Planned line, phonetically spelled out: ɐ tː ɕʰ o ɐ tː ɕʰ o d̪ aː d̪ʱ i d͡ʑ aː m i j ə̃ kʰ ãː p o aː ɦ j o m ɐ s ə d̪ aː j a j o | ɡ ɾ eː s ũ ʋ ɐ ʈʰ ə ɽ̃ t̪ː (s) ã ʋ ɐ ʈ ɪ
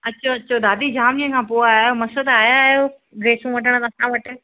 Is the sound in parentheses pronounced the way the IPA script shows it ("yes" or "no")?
yes